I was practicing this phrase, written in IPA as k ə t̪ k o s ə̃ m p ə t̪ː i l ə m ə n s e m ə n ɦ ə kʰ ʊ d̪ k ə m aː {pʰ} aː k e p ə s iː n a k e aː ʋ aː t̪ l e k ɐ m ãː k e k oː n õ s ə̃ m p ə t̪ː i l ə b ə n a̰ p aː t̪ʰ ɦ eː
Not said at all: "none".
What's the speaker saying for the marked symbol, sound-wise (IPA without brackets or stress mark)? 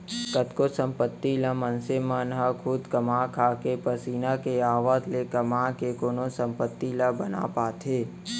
kʰ